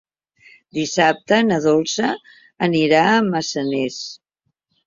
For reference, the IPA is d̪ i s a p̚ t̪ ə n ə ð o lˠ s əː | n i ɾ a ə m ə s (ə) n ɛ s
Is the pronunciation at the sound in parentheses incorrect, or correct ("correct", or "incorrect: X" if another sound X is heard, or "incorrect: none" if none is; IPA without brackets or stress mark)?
correct